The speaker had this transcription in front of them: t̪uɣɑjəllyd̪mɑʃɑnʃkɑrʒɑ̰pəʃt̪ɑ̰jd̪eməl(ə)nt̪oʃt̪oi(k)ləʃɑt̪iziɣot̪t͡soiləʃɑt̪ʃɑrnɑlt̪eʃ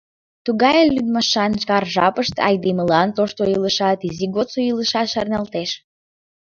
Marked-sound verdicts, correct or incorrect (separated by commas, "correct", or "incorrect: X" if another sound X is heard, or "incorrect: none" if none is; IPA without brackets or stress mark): incorrect: ɑ, incorrect: none